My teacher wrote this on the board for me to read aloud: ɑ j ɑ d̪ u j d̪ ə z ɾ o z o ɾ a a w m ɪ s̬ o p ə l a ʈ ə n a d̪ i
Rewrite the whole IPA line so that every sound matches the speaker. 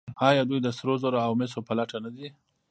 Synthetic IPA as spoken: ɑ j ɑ d̪ u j d̪ ə s ɾ o z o ɾ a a w m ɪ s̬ o p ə l a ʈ a n a d̪ i